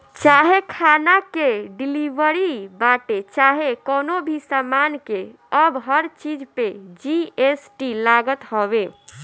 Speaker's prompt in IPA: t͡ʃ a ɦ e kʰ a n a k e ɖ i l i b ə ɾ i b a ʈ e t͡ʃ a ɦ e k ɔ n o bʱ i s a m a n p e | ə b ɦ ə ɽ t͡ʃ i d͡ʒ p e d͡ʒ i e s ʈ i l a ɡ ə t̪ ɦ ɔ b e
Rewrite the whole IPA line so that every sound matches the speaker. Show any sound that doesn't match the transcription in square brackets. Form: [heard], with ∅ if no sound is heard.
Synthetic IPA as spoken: t͡ʃ a ɦ e kʰ a n a k e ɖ i l i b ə ɾ i b a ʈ e t͡ʃ a ɦ e k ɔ n o bʱ i s a m a n [k] e | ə b ɦ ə [ɾ] t͡ʃ i d͡ʒ p e d͡ʒ i e s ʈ i l a ɡ ə t̪ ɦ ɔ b e